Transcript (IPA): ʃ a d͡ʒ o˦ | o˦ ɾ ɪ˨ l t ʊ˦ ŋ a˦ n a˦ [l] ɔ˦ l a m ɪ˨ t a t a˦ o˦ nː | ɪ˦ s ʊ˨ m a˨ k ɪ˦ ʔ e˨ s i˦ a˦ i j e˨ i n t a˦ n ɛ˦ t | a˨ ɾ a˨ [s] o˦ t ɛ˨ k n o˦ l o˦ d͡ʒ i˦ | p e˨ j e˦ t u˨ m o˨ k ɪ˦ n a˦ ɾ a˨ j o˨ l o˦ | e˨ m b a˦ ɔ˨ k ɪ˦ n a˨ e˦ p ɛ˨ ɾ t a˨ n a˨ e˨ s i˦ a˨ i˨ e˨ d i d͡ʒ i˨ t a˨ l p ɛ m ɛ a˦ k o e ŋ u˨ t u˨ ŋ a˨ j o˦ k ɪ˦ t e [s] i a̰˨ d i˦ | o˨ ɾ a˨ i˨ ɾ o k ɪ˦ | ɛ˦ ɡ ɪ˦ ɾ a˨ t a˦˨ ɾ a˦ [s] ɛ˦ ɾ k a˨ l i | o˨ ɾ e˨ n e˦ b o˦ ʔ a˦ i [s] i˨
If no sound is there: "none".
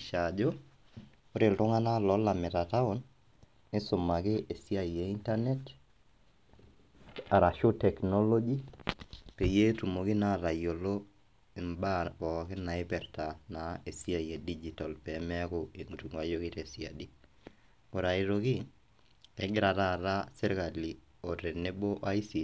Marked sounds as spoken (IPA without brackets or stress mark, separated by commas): l, ʃ, s, s, s